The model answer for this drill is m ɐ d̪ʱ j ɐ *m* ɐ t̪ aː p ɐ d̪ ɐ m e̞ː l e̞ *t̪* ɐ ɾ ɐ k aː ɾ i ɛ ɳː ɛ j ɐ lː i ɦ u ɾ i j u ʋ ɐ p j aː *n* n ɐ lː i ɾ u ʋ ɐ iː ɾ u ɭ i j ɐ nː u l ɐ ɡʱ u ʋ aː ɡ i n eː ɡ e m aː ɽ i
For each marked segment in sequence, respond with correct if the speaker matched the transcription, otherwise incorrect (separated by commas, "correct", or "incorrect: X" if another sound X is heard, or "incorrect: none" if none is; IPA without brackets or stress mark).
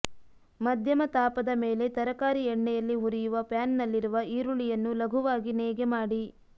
correct, correct, correct